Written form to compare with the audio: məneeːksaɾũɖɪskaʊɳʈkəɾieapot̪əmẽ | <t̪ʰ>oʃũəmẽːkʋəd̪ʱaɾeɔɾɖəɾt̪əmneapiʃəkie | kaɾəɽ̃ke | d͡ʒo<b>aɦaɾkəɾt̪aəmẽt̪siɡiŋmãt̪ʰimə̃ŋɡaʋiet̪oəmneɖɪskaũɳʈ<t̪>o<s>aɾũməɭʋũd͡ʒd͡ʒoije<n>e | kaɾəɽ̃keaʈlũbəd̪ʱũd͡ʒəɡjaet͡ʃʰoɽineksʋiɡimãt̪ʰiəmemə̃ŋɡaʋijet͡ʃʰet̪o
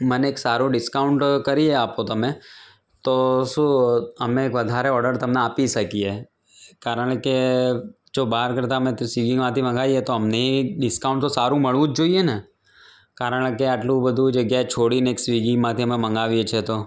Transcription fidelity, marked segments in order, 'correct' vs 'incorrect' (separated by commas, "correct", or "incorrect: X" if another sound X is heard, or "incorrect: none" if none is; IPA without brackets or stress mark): incorrect: t̪, correct, correct, correct, correct